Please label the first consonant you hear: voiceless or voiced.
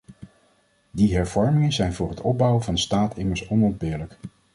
voiced